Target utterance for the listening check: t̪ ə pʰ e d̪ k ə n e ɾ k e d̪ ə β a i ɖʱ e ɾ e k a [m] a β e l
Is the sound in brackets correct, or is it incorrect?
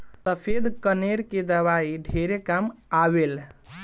correct